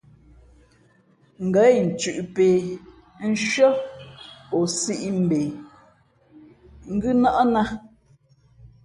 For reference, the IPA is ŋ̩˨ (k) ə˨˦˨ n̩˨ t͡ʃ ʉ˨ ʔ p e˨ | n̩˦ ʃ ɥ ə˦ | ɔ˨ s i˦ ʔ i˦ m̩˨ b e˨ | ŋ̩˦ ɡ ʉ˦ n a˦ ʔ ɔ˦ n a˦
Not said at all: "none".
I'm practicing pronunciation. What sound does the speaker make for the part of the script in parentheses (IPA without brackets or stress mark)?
ɡ